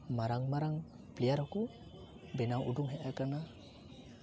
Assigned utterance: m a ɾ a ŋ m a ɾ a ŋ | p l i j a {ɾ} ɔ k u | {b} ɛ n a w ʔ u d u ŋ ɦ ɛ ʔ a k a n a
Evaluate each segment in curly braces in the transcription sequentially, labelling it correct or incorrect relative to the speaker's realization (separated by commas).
correct, correct